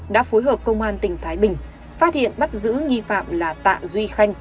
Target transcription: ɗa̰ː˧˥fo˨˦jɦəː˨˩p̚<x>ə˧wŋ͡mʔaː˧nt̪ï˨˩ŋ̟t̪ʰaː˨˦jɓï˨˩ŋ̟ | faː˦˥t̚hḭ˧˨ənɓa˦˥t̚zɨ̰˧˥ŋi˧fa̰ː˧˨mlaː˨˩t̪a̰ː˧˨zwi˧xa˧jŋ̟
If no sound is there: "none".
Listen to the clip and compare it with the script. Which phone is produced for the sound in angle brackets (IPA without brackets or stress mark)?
k